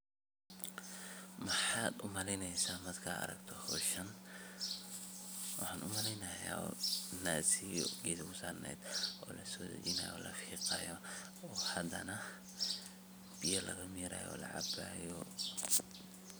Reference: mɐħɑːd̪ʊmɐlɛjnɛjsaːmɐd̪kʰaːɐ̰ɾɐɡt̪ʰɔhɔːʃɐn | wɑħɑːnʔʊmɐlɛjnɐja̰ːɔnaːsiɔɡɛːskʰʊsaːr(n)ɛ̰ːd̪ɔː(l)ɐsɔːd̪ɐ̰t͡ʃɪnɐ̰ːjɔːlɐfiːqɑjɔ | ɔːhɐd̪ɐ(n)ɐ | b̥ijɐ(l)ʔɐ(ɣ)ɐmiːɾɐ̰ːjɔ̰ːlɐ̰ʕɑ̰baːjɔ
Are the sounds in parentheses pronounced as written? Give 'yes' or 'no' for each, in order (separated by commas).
yes, yes, yes, yes, yes